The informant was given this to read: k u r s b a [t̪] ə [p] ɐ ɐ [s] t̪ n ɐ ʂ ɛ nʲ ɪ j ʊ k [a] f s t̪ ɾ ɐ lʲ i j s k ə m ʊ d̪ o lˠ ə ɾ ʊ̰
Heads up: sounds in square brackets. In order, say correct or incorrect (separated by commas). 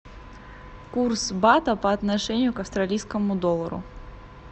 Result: correct, correct, incorrect, incorrect